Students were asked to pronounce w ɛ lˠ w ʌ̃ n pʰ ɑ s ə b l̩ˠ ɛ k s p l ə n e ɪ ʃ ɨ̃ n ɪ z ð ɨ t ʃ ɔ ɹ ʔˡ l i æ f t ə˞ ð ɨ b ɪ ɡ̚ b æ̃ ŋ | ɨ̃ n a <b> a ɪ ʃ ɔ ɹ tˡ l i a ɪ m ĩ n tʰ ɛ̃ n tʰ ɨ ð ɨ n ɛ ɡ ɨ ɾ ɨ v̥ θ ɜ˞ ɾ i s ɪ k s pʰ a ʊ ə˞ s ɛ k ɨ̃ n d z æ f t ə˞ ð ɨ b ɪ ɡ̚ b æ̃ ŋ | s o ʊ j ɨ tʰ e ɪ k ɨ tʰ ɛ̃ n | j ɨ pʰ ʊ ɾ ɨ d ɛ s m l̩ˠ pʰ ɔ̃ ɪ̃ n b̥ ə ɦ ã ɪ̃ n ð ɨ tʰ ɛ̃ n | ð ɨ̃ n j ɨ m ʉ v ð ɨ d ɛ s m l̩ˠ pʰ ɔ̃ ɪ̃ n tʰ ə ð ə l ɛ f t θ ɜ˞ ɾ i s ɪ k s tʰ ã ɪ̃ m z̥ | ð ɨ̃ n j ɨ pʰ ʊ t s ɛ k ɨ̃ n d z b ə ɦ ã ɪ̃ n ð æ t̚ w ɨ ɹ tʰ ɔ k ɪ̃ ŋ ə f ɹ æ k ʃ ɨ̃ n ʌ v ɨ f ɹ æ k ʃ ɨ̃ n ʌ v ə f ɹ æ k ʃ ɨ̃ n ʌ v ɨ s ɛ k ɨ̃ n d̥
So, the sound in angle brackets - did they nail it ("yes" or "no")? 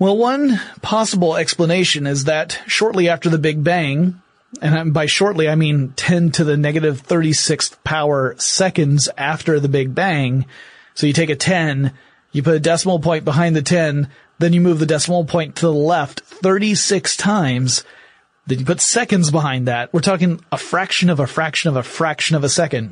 yes